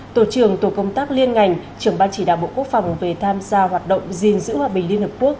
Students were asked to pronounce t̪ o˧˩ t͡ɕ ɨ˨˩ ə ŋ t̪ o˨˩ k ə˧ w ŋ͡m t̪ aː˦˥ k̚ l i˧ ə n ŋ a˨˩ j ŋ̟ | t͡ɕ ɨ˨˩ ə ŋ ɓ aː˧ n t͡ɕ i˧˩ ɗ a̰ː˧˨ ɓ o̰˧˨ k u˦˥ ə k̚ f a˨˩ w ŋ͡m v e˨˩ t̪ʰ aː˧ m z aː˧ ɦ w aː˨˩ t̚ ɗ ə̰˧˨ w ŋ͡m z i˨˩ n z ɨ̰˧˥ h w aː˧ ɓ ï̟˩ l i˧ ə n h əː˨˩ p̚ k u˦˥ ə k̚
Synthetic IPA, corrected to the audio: t̪ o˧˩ t͡ɕ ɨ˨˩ ə ŋ t̪ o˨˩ k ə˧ w ŋ͡m t̪ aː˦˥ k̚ l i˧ ə n ŋ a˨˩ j ŋ̟ | t͡ɕ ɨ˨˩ ə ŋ ɓ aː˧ n t͡ɕ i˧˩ ɗ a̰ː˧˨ ɓ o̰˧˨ k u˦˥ ə k̚ f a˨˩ w ŋ͡m v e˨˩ t̪ʰ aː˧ m z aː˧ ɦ w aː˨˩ t̚ ɗ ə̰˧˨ w ŋ͡m z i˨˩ n z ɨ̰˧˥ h w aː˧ ɓ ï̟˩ l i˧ ə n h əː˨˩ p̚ k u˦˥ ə k̚